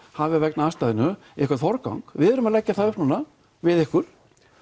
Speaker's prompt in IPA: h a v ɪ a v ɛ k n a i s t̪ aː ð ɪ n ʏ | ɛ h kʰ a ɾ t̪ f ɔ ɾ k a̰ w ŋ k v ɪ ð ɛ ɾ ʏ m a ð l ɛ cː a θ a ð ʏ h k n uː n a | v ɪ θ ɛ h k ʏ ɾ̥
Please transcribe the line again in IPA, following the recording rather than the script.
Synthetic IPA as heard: h a v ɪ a v ɛ k n a a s t̪ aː ð ɪ n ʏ | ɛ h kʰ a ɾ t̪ f ɔ ɾ k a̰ w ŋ k v ɪ ð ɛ ɾ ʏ m a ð l ɛ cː a θ a ð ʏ h p n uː n a | v ɪ ð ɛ h k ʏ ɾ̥